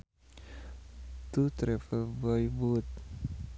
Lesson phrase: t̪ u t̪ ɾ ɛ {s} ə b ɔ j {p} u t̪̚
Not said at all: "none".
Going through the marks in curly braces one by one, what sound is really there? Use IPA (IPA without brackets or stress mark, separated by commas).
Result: f, b